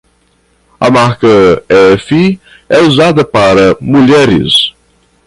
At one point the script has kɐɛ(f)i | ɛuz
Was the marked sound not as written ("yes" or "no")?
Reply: no